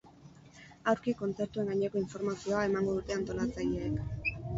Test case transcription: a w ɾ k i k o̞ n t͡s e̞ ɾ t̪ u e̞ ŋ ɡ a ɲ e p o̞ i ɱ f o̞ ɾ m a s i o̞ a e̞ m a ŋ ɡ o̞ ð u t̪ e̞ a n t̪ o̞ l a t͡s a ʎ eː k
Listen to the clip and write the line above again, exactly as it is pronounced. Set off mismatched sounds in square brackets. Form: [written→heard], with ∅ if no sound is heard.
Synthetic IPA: a w ɾ k i k o̞ n t͡s e̞ ɾ t̪ u e̞ ŋ ɡ a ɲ e [p→k] o̞ i ɱ f o̞ ɾ m a s i o̞ a e̞ m a ŋ ɡ o̞ ð u t̪ e̞ a n t̪ o̞ l a t͡s a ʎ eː k